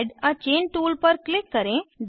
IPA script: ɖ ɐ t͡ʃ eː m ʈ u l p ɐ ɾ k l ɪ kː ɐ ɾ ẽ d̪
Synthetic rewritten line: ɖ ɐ t͡ʃ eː n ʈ uː l p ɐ ɾ k l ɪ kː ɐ ɾ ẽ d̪